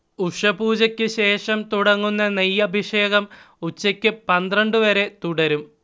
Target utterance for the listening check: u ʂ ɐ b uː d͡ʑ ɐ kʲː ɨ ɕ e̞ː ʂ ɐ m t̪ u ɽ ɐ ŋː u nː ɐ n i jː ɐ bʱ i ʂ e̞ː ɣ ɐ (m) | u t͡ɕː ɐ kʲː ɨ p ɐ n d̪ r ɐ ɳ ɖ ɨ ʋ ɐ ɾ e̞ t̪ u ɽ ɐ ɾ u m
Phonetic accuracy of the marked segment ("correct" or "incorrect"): correct